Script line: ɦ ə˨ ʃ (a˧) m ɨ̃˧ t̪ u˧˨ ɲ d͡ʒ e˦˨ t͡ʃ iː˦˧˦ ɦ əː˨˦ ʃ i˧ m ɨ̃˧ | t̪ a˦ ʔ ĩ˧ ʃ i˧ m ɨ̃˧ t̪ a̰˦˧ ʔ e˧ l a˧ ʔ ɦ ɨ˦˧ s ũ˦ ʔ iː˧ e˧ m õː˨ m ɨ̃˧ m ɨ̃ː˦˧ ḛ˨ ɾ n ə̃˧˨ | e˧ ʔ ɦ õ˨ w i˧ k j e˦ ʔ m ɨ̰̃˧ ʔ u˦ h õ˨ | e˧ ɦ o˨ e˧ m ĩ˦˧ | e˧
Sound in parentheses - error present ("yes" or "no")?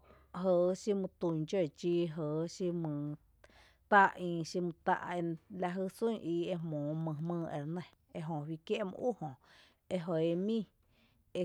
yes